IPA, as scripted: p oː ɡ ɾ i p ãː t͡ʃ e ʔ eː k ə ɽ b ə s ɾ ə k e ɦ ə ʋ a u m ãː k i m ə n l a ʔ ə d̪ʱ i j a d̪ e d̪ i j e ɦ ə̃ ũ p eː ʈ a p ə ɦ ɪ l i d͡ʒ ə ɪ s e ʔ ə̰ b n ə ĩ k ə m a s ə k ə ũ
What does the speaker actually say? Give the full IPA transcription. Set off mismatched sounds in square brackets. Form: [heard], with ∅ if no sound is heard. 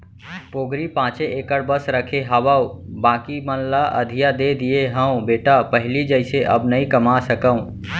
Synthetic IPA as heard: p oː ɡ ɾ i p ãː t͡ʃ e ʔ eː k ə ɽ b ə s ɾ ə [kʰ] e ɦ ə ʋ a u [b] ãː k i m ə n l a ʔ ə d̪ʱ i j a d̪ e d̪ i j e ɦ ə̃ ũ [b] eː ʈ a p ə ɦ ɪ l i d͡ʒ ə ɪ s e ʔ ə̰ b n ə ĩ k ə m a s ə k ə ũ